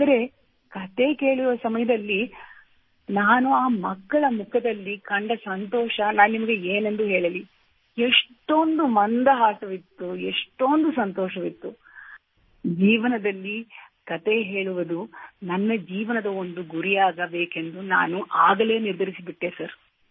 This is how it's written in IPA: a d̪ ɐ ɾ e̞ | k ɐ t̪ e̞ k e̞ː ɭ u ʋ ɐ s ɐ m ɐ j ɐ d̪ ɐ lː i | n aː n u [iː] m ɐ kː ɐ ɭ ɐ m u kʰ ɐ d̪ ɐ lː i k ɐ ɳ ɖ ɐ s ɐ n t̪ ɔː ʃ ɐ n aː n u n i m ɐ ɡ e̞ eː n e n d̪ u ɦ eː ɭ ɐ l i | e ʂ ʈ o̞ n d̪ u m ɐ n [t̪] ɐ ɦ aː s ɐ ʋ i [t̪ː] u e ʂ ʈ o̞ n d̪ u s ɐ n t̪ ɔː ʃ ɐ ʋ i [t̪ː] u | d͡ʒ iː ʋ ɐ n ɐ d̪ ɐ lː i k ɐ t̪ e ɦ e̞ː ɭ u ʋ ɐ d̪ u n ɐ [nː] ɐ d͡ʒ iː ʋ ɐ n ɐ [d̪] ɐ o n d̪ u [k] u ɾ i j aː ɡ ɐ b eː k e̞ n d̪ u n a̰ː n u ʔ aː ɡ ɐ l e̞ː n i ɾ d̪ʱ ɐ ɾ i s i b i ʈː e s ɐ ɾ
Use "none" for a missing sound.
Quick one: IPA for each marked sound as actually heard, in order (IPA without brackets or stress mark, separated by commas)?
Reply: aː, d̪, t̪ː, t̪ː, nː, d̪, ɡ